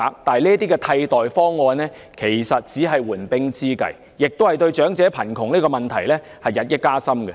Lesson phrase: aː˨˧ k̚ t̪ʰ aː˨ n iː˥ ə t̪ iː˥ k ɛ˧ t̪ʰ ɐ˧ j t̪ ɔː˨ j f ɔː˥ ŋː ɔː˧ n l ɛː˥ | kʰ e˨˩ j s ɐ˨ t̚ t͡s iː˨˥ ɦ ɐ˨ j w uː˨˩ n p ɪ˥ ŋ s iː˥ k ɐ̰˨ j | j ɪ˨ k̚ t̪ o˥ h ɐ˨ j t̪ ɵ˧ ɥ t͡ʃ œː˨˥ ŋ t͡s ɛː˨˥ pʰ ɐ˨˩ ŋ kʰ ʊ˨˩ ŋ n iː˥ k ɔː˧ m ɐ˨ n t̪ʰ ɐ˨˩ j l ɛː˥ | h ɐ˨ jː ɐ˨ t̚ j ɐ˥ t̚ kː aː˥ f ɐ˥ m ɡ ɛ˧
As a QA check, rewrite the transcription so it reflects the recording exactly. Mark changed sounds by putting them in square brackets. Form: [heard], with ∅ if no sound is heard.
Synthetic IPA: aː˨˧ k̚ [t̪] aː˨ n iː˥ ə t̪ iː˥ k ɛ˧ t̪ʰ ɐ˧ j t̪ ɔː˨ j f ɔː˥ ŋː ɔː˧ n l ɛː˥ | kʰ e˨˩ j s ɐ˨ t̚ t͡s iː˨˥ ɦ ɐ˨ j w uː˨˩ n p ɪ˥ ŋ [t͡s] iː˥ k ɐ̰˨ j | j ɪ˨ k̚ t̪ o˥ h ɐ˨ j t̪ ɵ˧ ɥ t͡ʃ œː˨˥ ŋ t͡s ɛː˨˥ pʰ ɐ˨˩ [n] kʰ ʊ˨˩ ŋ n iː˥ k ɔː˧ m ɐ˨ n t̪ʰ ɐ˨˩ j l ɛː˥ | h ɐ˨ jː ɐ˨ t̚ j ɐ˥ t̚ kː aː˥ [s] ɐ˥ m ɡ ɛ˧

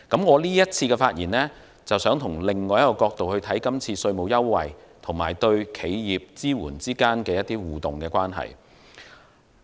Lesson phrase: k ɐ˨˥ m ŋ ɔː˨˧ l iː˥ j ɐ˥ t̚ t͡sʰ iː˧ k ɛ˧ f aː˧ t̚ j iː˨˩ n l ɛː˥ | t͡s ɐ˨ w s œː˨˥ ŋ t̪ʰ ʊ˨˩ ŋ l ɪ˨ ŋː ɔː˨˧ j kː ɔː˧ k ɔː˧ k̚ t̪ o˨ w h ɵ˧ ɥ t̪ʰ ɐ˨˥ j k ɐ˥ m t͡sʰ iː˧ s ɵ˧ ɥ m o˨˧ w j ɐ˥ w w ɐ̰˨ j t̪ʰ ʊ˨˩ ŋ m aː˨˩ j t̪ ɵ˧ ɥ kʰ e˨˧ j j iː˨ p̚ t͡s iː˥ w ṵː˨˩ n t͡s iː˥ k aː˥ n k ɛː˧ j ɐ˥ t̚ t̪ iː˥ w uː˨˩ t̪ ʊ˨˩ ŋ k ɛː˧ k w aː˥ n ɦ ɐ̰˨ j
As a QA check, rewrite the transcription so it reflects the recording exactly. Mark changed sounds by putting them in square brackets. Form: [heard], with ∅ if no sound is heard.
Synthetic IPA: k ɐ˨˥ m ŋ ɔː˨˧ l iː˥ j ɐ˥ t̚ t͡sʰ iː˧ k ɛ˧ f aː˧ t̚ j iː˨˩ n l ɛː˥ | t͡s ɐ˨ w s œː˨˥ ŋ t̪ʰ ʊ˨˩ ŋ l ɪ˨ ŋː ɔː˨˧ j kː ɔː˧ k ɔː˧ k̚ t̪ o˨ w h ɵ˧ ɥ t̪ʰ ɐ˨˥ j k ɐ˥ m t͡sʰ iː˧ s ɵ˧ ɥ m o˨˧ w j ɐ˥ w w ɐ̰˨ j t̪ʰ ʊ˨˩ ŋ m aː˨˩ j t̪ ɵ˧ ɥ kʰ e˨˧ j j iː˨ p̚ t͡s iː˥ w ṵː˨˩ n t͡s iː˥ k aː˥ n k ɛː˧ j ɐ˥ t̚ t̪ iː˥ w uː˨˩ t̪ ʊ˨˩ ŋ k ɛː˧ k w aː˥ n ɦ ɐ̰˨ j

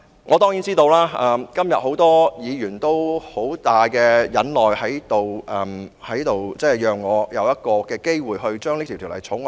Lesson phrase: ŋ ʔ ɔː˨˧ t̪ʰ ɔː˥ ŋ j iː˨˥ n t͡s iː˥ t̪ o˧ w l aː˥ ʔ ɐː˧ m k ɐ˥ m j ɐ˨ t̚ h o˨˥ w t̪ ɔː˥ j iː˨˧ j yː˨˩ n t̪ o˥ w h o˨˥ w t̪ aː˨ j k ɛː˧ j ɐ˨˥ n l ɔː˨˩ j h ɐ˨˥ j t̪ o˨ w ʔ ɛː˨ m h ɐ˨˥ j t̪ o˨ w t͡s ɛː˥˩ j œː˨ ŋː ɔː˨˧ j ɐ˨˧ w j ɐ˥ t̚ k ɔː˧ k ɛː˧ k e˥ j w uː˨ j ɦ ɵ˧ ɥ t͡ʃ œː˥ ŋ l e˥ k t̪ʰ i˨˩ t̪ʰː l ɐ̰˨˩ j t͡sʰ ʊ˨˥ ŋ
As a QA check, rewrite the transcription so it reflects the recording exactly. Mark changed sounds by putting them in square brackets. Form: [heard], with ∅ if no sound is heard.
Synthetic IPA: ŋ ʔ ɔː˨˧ [t̪] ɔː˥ ŋ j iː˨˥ n t͡s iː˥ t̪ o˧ w l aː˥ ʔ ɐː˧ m k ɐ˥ m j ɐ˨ t̚ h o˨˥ w t̪ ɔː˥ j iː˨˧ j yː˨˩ n t̪ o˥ w h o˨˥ w t̪ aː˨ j k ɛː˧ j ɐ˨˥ n l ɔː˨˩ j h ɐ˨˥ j t̪ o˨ w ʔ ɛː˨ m h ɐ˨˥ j t̪ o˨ w t͡s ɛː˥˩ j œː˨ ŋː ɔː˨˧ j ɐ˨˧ w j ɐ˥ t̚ k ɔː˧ k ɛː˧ k e˥ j w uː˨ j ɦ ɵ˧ ɥ t͡ʃ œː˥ ŋ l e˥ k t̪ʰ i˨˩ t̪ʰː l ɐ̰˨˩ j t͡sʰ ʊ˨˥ ŋ

